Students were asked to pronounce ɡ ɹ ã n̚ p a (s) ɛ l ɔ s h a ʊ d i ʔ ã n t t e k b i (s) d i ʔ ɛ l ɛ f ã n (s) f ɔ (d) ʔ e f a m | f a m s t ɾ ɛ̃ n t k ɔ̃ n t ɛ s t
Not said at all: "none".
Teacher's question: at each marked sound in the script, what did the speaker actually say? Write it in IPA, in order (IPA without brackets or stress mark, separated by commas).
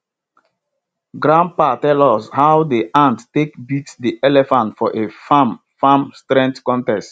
t, t, t, none